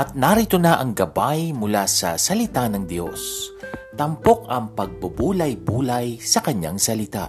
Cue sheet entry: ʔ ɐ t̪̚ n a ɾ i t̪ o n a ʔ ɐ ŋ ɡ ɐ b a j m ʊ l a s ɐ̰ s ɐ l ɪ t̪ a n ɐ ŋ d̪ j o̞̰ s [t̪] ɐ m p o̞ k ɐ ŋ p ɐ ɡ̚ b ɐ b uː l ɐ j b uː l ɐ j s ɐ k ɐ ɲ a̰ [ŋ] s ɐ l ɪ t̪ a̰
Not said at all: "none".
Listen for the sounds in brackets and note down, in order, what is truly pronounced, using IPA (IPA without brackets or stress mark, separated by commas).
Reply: t̪, ŋ